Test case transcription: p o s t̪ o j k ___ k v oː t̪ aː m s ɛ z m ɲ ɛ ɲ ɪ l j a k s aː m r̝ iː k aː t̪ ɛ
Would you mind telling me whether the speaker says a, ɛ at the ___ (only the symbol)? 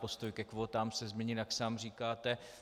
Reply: ɛ